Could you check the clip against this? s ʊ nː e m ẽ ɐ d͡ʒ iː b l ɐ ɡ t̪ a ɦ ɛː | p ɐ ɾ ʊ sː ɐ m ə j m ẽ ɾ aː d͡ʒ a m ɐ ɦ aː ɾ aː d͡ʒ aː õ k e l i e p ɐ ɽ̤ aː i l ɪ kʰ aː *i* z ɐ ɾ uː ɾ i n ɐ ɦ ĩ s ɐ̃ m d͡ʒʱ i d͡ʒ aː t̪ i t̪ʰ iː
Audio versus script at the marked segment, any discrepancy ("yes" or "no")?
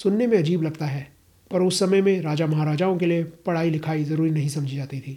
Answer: no